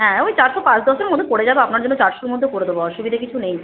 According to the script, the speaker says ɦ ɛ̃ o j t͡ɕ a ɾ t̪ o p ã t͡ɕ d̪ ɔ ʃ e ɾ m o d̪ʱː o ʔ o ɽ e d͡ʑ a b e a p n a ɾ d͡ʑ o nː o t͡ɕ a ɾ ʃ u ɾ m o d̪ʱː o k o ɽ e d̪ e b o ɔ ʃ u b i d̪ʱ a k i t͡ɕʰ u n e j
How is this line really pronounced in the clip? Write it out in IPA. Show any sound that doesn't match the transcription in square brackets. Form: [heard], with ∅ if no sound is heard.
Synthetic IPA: ɦ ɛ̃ o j t͡ɕ a ɾ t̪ o p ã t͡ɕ d̪ ɔ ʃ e ɾ m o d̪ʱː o [k] o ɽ e d͡ʑ a b e a p n a ɾ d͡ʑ o nː o t͡ɕ a ɾ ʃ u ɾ m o d̪ʱː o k o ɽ e d̪ e b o ɔ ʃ u b i d̪ʱ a k i t͡ɕʰ u n e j